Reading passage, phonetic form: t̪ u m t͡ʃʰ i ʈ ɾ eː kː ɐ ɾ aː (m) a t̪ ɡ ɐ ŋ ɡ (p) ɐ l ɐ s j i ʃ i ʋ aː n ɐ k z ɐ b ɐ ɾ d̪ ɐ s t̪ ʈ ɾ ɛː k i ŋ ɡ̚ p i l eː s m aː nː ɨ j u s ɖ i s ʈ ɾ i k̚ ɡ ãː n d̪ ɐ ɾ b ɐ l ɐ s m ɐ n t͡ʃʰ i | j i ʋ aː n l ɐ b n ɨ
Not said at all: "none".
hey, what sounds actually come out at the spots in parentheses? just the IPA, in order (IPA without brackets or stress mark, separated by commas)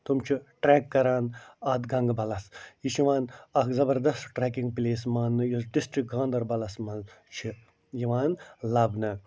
n, b